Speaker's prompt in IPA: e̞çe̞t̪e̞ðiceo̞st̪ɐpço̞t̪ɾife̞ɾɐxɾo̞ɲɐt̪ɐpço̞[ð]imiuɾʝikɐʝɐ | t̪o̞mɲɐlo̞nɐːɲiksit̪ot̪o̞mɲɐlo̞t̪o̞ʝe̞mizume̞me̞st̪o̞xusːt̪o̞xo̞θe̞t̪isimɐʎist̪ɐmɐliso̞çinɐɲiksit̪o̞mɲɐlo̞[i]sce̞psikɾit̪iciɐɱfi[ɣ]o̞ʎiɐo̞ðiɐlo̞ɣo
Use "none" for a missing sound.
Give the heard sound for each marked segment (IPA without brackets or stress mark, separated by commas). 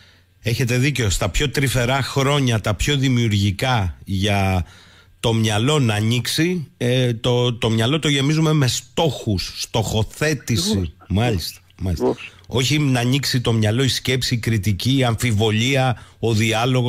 ð, i, v